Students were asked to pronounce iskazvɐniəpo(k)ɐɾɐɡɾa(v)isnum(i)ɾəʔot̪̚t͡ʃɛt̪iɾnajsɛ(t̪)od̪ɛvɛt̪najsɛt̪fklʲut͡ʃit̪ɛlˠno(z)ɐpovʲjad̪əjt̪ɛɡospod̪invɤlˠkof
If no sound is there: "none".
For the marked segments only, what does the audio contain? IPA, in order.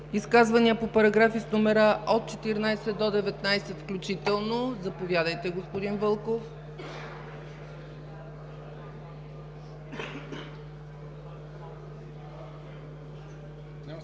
p, f, ɛ, d̪, z

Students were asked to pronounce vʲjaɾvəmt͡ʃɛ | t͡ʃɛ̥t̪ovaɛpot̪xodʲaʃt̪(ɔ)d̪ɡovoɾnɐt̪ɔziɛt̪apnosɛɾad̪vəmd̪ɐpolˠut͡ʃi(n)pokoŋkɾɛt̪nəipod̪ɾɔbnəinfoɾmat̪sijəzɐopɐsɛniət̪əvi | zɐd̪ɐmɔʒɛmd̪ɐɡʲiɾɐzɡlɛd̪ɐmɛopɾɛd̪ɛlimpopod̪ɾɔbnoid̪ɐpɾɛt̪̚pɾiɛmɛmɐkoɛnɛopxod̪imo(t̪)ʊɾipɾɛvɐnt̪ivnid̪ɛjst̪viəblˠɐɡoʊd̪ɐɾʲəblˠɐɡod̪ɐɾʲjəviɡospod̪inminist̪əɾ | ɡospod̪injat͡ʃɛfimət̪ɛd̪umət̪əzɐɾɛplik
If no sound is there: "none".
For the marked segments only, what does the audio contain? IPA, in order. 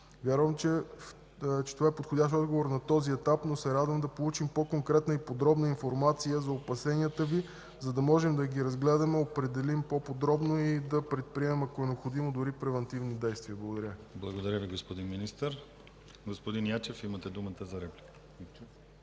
ɔ, m, d̪

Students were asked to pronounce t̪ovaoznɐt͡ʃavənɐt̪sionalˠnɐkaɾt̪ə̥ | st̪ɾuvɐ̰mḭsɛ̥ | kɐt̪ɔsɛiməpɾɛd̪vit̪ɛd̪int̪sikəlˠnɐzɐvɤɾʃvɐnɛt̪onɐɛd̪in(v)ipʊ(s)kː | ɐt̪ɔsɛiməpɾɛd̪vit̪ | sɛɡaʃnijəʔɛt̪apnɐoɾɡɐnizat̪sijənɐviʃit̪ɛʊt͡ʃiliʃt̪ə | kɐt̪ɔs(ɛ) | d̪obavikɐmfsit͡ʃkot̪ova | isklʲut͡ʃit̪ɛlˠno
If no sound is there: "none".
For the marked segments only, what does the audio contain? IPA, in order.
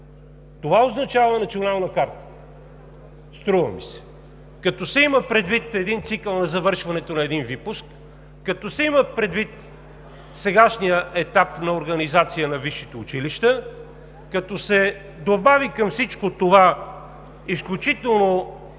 v, s, ɛ

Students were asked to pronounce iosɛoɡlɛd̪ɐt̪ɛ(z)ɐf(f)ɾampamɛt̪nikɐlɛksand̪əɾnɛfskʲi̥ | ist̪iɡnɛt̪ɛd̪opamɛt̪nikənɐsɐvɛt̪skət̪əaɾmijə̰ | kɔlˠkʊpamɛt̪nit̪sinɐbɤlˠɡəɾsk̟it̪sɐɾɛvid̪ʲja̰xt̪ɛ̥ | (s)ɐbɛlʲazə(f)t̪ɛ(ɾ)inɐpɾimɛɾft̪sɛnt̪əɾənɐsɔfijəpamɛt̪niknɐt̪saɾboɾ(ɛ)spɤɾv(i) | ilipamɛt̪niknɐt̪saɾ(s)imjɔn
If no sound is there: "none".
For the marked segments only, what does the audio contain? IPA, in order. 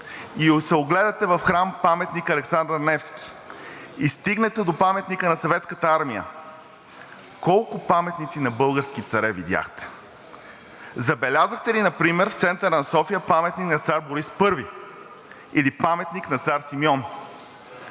v, x, z, x, l, i, i, s

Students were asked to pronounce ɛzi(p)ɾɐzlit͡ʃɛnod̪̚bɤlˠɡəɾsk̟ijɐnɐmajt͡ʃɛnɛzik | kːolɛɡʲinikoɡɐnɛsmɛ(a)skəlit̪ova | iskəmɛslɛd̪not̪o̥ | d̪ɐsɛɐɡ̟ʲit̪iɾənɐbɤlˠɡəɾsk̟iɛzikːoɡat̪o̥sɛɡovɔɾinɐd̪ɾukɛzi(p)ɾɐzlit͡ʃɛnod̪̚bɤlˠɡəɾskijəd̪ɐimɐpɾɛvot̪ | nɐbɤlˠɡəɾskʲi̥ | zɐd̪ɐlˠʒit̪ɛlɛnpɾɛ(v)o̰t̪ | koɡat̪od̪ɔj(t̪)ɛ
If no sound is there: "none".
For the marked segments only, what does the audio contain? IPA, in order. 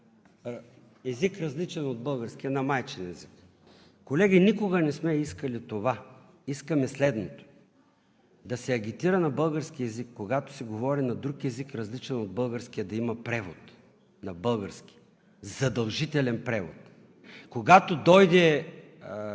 k, i, k, v, d̪

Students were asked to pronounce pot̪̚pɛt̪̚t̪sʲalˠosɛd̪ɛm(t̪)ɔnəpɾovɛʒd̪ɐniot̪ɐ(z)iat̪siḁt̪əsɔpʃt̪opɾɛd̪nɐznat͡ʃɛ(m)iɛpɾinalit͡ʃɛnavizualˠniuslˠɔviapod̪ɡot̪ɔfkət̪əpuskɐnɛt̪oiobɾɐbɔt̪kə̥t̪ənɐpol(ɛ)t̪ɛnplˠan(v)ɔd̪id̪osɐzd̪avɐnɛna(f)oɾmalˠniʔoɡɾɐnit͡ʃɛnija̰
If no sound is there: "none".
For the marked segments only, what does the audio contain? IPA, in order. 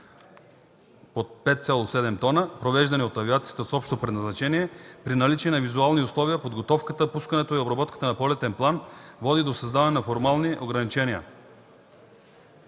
t̪, v, n, ɛ, v, f

